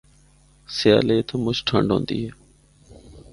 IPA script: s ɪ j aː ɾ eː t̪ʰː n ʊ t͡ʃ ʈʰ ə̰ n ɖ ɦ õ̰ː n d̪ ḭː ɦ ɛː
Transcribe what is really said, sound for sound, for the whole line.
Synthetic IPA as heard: s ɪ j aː l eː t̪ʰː m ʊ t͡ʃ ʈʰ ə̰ ɳ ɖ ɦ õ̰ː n d̪ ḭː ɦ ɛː